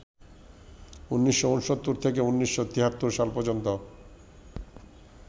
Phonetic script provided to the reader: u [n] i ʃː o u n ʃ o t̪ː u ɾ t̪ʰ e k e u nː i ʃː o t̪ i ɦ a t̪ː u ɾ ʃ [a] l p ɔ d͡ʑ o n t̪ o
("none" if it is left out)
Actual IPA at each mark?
nː, a

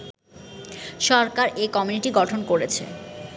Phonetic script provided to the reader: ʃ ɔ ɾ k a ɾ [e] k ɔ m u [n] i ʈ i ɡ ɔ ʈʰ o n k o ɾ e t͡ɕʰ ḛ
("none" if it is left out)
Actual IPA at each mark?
e, n

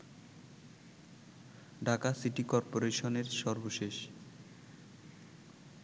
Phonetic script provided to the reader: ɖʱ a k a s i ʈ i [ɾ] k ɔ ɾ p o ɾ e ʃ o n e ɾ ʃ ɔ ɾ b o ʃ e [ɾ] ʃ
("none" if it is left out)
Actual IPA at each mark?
none, none

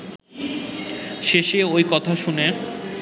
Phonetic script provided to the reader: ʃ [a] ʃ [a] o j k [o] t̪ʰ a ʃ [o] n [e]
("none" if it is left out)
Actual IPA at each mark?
e, e, ɔ, u, e

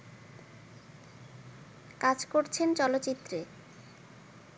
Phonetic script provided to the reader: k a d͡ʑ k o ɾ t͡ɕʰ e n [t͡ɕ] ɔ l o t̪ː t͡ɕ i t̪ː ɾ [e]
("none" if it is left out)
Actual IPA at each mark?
t͡ɕ, e

